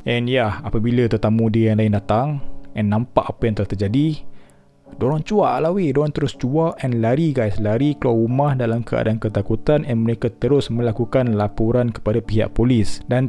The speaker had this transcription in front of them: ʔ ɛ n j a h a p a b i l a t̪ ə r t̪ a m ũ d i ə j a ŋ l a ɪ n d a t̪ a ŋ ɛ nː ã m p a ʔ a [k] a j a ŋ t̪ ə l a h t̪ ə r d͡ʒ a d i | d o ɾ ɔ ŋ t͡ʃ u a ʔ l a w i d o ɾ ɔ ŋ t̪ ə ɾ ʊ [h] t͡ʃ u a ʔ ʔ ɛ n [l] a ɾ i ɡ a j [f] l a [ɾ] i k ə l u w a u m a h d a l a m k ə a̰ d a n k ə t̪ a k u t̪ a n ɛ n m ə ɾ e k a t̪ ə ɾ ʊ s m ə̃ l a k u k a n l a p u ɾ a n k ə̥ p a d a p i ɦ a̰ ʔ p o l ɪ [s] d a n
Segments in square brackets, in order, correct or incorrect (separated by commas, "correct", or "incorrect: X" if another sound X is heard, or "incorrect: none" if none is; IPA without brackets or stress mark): incorrect: p, incorrect: s, correct, incorrect: s, correct, correct